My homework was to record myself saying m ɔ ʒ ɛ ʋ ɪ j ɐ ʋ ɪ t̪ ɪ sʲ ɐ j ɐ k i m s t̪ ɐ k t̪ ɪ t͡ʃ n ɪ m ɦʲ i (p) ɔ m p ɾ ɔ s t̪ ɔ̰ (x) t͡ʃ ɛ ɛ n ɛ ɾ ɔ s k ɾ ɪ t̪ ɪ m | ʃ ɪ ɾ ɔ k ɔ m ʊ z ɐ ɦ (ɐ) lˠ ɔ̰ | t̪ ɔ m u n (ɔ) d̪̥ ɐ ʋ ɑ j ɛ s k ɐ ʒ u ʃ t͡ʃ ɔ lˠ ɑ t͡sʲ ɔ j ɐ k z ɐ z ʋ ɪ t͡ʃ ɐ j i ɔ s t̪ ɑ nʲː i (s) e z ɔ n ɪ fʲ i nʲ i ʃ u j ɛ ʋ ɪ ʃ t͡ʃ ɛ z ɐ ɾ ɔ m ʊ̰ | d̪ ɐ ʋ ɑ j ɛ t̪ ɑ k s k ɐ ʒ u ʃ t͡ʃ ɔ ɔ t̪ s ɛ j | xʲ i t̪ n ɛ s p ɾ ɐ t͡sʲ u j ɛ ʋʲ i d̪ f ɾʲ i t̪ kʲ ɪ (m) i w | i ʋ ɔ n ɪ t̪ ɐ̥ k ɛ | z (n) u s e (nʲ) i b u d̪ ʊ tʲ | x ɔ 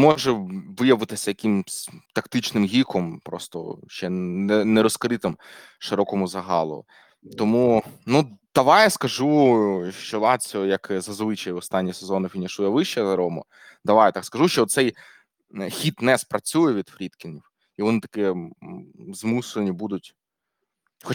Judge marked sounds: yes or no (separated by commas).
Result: no, no, no, no, yes, no, no, yes